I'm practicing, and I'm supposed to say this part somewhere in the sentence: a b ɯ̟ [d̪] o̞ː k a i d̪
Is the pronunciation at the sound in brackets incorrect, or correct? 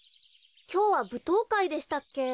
incorrect